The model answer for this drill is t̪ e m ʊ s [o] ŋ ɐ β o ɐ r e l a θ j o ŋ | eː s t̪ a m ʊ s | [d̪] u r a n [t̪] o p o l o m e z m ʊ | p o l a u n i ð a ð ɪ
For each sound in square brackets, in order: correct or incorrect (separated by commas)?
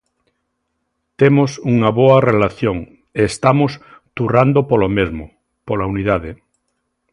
incorrect, incorrect, incorrect